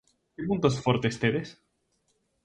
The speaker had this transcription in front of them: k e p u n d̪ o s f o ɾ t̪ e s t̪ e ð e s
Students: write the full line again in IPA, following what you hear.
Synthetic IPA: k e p u n t̪ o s f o ɾ t̪ e s t̪ e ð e s